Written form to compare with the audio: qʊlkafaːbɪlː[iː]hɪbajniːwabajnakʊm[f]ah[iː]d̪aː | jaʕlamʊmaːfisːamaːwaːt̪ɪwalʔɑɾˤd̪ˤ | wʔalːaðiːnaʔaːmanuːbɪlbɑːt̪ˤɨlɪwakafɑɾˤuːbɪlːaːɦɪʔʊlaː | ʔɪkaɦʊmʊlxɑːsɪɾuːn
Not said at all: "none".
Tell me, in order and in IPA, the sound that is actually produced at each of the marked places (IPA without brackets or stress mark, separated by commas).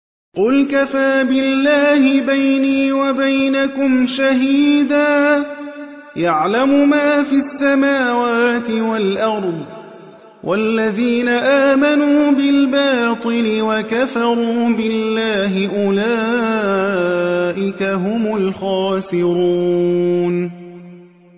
aː, ʃ, iː